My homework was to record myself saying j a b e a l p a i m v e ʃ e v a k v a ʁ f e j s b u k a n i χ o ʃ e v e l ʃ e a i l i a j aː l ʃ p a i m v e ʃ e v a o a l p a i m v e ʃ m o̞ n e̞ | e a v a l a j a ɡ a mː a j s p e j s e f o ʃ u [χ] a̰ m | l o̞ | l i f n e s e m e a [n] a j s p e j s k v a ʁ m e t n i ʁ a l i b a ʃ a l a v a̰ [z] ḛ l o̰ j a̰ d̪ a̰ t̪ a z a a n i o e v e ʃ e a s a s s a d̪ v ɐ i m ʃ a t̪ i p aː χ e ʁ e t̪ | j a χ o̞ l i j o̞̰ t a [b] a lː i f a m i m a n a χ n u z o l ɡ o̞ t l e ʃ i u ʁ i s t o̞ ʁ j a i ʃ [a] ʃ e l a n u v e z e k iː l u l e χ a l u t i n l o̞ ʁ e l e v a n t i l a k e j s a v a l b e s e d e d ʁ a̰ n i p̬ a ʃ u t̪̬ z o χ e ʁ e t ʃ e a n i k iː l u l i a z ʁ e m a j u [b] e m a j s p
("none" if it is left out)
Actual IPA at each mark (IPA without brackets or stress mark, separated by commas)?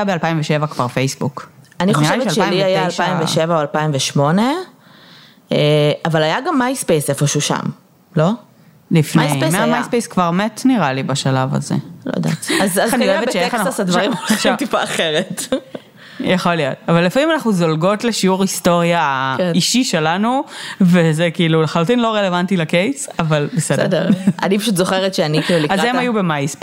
ʃ, m, z, v, i, b